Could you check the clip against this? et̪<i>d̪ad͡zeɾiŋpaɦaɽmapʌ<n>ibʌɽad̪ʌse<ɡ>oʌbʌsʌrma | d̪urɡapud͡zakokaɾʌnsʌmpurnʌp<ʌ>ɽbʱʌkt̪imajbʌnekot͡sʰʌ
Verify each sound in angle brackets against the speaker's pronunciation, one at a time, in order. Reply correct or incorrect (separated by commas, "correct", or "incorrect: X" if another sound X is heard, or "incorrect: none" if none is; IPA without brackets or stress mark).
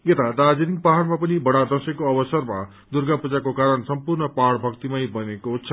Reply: incorrect: a, correct, incorrect: k, incorrect: a